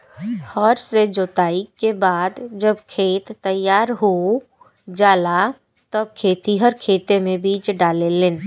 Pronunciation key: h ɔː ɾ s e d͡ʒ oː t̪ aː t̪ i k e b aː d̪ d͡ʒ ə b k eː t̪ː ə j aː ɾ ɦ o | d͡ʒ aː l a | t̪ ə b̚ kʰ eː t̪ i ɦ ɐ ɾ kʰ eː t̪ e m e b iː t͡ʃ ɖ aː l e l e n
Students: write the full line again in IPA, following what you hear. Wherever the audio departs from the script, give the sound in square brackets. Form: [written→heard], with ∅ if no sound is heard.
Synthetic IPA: h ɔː ɾ s e d͡ʒ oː t̪ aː [t̪→∅] i k e b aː d̪ d͡ʒ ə b [k→kʰ] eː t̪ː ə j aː ɾ ɦ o | d͡ʒ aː l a | t̪ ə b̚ kʰ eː t̪ i ɦ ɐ ɾ kʰ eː t̪ e m [e→ẽ] b iː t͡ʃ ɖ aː l e l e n